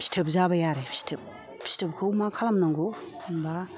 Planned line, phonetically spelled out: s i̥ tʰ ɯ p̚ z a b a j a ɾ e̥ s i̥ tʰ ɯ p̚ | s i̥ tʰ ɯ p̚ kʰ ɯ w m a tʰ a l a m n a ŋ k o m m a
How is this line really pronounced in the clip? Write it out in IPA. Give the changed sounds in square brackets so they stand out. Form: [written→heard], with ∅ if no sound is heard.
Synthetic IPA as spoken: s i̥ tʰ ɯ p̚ z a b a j a ɾ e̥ s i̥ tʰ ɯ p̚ | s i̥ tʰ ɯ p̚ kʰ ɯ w m a [tʰ→kʰ] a l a m n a ŋ [k→ɡ] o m [m→b] a